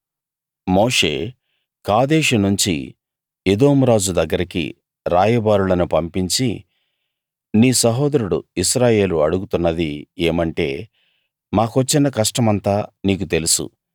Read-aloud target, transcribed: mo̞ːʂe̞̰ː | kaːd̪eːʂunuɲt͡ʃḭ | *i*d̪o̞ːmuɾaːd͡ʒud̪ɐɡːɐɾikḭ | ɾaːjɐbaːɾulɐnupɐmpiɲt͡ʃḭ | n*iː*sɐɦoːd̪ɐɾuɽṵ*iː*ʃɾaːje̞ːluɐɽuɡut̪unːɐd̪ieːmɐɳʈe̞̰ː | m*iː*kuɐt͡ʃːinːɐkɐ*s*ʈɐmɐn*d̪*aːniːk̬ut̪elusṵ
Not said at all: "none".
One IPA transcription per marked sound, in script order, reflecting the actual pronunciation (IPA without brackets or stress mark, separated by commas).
e, iː, i, aː, ʂ, t̪